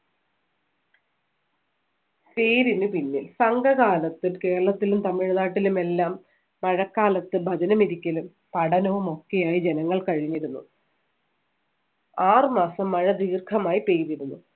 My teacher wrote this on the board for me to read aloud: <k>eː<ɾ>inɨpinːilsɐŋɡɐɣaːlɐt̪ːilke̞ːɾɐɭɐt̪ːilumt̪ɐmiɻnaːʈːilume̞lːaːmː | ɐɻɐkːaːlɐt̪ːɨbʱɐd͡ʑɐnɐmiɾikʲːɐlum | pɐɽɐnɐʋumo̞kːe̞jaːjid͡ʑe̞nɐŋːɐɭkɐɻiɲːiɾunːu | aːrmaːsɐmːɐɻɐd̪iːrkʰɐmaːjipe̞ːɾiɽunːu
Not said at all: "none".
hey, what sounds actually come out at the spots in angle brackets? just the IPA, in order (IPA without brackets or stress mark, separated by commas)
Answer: p, ɾ